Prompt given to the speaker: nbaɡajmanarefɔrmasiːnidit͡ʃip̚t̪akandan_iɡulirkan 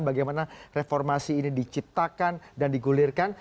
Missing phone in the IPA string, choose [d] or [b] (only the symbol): d